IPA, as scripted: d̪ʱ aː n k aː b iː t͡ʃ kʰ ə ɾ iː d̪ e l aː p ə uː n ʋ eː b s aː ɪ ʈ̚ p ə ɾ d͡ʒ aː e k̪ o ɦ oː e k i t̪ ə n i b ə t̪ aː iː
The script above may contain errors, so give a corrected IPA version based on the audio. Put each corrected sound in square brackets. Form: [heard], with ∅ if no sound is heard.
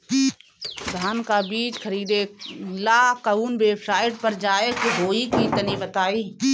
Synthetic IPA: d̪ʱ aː n k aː b iː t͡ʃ kʰ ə ɾ iː d̪ e l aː [k] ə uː n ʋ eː b s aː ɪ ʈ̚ p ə ɾ d͡ʒ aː e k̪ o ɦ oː [i] k i t̪ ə n i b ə t̪ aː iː